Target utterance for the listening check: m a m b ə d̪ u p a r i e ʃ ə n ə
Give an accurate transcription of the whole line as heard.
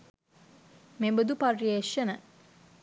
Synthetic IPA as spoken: m e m b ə d̪ u p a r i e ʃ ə n ə